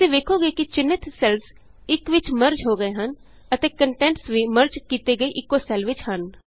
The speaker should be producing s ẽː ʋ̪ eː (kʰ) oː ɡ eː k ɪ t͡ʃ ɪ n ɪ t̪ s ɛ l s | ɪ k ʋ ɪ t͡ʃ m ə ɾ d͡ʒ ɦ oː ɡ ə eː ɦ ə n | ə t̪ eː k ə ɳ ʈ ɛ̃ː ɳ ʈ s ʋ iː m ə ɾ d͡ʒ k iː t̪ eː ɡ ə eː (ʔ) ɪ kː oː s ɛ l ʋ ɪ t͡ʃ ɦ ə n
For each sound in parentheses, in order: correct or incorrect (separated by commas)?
correct, correct